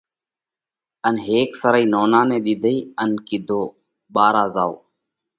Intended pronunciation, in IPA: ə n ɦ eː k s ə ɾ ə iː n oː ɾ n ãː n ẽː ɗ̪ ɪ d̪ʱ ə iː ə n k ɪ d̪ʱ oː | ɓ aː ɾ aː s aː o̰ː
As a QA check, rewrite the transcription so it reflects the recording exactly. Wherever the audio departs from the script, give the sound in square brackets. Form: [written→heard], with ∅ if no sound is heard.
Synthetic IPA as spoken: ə n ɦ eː k s ə ɾ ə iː n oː [ɾ→∅] n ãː n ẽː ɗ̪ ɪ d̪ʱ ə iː ə n k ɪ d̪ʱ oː | ɓ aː ɾ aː [s→z] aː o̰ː